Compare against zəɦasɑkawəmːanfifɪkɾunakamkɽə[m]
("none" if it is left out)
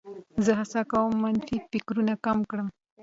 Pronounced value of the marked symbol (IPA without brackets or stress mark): m